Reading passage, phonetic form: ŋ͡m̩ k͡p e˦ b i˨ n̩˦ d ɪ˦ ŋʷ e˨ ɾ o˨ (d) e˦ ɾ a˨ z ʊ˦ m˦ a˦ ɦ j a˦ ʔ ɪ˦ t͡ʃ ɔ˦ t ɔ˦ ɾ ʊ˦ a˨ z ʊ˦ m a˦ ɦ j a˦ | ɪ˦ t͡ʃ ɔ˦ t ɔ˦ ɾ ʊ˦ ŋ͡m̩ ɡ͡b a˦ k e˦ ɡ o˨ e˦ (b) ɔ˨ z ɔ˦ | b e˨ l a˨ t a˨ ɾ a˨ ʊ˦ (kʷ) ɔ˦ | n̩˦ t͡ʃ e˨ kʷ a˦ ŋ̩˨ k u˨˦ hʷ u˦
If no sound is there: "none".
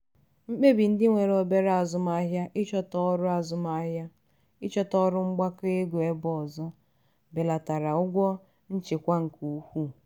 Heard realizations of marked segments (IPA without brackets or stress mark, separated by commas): b, b, ɡʷ